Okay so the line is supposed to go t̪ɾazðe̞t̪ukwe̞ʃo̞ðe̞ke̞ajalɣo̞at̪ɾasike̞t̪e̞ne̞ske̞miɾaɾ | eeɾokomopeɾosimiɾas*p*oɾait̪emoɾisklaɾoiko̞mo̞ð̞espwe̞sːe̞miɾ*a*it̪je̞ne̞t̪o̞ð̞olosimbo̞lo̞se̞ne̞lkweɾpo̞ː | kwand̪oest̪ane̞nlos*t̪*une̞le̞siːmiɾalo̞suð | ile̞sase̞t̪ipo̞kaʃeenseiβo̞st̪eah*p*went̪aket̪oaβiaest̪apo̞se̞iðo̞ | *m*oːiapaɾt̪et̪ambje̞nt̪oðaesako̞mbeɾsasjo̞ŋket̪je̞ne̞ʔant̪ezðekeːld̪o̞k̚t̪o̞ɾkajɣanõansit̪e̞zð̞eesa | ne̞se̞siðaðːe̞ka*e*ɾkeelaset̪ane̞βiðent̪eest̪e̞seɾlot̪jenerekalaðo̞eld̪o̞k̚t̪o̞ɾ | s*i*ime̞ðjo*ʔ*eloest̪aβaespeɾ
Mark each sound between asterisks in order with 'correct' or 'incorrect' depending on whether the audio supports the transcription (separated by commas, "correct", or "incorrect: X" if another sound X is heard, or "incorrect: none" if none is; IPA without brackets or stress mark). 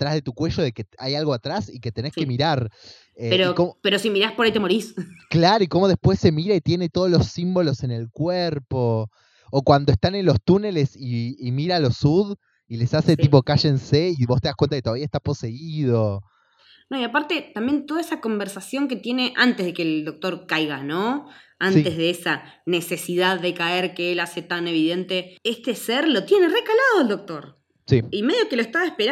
correct, correct, correct, incorrect: k, incorrect: n, correct, correct, incorrect: k